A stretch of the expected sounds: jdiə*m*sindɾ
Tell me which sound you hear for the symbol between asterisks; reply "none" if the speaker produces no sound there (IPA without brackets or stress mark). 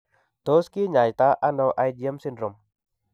m